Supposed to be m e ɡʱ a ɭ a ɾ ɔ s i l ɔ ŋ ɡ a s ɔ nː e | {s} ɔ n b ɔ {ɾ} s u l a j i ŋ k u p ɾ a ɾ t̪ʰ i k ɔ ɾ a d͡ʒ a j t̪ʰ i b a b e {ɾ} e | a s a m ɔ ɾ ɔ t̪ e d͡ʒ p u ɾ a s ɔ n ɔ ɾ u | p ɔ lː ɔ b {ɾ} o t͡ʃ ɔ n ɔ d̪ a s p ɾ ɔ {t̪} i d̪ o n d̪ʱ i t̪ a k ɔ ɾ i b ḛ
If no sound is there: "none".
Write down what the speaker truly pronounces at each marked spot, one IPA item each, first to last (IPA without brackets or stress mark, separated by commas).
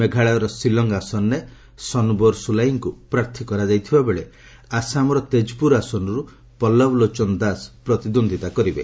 s, ɾ, ɭ, l, t̪